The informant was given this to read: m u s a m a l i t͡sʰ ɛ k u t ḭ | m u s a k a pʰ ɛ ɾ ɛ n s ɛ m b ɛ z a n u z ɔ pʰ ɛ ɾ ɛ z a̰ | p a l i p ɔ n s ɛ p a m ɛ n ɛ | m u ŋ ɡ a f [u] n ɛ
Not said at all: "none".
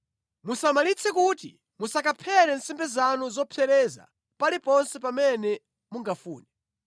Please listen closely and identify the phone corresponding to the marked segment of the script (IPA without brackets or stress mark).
uː